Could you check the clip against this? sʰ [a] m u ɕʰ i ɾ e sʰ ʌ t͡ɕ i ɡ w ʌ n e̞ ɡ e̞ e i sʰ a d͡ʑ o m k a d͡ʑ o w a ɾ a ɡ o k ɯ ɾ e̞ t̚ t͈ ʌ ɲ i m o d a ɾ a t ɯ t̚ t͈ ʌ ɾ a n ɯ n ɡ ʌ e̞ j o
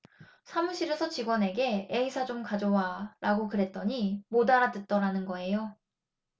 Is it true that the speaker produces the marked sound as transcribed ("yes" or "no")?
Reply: yes